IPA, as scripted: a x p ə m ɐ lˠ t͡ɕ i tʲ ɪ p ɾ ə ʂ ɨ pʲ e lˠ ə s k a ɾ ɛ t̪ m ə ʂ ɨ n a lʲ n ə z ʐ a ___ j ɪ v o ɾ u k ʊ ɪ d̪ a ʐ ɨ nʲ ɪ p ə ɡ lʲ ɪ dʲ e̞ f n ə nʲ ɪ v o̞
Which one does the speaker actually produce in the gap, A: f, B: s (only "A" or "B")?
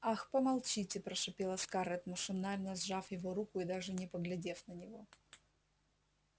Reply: A